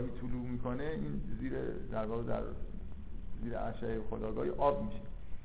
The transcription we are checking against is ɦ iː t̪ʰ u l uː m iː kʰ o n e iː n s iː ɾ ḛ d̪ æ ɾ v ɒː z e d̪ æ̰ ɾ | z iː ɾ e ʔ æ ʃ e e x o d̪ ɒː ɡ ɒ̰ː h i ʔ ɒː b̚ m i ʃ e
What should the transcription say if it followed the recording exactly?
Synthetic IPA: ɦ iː t̪ʰ u l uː m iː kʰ o n e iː n z iː ɾ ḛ d̪ æ ɾ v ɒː ɣ e d̪ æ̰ ɾ | z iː ɾ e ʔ æ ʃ æ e x o d̪ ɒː ɡ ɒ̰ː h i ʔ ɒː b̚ m i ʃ e